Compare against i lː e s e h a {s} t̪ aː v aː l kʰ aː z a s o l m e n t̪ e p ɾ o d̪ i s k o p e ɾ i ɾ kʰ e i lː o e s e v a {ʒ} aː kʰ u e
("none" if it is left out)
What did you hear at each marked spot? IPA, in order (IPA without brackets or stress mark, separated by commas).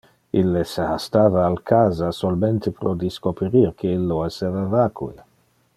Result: s, v